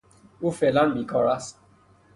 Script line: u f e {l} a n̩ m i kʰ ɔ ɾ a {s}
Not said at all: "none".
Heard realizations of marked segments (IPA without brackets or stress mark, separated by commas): l, s